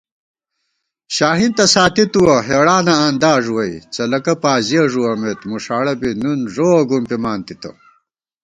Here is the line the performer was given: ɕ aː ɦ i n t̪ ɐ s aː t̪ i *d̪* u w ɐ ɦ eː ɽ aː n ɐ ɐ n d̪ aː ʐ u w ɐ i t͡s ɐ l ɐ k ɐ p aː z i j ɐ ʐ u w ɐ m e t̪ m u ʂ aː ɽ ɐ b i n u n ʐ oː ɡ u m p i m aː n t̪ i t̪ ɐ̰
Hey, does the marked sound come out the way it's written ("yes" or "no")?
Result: no